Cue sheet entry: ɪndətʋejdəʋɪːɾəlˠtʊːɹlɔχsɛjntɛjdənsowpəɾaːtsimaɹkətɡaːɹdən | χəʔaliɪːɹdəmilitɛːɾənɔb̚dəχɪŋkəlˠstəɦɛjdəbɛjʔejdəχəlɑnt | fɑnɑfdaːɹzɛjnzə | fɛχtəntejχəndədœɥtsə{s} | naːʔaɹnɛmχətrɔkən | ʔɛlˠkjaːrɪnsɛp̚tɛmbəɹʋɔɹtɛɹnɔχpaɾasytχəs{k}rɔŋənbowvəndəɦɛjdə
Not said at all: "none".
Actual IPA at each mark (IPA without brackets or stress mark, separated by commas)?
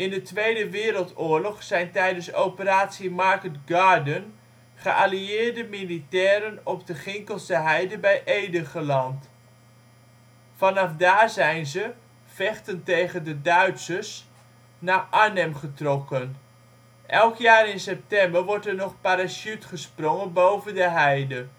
s, p